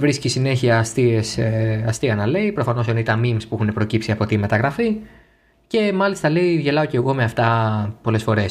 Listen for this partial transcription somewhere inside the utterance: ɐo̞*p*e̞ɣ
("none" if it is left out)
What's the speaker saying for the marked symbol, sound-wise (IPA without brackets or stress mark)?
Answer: c